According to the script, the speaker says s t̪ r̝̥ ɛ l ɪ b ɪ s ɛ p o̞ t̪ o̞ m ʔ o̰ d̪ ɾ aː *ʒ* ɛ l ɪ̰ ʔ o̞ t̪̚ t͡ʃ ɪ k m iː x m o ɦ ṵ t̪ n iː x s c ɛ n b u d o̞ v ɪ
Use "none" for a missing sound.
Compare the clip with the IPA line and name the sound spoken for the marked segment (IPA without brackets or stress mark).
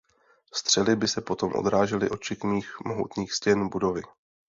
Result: ʒ